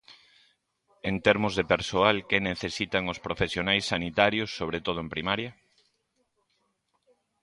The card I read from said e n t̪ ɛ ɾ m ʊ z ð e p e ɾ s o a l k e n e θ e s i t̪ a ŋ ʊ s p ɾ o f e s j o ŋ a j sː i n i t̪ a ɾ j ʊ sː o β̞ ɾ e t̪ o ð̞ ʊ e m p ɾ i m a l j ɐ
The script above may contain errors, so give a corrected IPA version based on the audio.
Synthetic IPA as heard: e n t̪ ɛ ɾ m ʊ z ð e p e ɾ s o a l k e n e θ e s i t̪ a ŋ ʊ s p ɾ o f e s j o n a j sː a n i t̪ a ɾ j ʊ sː o β̞ ɾ e t̪ o ð̞ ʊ e m p ɾ i m a ɾ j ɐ

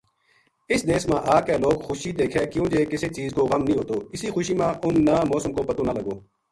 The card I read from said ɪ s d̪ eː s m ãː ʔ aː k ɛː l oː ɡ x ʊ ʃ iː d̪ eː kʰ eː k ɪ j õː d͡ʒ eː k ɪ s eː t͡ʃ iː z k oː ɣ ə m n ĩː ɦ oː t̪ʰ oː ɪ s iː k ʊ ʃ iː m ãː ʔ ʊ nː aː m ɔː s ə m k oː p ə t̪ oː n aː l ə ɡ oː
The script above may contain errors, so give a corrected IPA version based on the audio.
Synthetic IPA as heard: ɪ s d̪ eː s m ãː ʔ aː k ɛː l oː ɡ x ʊ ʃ iː d̪ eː kʰ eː k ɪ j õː d͡ʒ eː k ɪ s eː t͡ʃ iː z k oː ɣ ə m n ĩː ɦ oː t̪ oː ɪ s iː x ʊ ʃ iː m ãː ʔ ʊ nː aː m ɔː s ə m k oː p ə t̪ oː n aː l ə ɡ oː

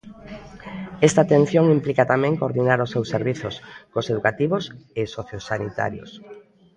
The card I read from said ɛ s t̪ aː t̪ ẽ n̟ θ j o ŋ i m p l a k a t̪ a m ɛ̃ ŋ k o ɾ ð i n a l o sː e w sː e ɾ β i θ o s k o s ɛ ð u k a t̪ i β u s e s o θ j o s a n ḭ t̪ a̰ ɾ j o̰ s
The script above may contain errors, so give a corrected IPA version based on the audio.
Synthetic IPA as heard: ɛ s t̪ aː t̪ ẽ n̟ θ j o ŋ i m p l i k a t̪ a m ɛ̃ ŋ k o ɾ ð i n a ɾ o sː e w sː e ɾ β i θ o s k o s e ð u k a t̪ i β o s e s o θ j o s a n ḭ t̪ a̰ ɾ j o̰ s

